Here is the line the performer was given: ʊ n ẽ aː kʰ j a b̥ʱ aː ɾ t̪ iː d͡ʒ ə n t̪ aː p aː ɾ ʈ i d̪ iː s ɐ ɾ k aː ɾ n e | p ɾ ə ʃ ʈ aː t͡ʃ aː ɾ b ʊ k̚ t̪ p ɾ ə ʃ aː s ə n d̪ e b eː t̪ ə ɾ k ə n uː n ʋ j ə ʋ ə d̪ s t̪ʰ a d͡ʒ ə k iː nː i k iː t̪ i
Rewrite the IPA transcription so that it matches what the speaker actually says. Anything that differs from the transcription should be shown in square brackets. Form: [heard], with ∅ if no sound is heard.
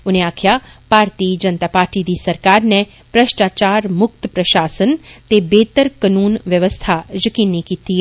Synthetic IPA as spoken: ʊ n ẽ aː kʰ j a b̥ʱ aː ɾ t̪ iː d͡ʒ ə n t̪ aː p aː ɾ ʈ i d̪ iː s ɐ ɾ k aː ɾ n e | p ɾ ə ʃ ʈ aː t͡ʃ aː ɾ [m] ʊ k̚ t̪ p ɾ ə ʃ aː s ə n [t̪] e b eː t̪ ə ɾ k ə n uː n ʋ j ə ʋ ə [∅] s t̪ʰ a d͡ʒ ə k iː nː i k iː t̪ i